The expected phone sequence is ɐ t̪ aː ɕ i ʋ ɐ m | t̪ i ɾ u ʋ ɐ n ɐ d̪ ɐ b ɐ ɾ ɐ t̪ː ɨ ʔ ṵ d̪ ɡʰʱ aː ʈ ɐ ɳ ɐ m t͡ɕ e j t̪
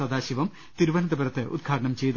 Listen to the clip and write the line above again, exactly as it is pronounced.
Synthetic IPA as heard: ɐ d̪ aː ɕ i ʋ ɐ m | t̪ i ɾ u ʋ ɐ n ɐ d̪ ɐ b ɐ ɾ ɐ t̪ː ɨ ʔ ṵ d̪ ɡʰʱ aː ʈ ɐ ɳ ɐ m t͡ɕ e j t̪